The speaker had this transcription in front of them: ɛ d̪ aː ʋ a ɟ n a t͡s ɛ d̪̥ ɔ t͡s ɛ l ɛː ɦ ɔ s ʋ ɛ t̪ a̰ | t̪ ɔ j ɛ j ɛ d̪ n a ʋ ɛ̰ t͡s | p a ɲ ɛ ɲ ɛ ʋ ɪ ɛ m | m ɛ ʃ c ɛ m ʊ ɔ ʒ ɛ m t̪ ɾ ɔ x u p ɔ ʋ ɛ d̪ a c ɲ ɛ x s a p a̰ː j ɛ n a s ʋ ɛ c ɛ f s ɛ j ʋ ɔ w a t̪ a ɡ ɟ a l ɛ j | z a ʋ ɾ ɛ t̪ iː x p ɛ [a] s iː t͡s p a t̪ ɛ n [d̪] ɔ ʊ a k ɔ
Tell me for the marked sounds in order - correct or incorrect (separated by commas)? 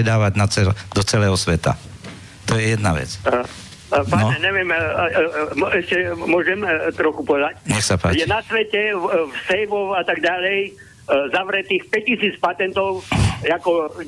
incorrect, incorrect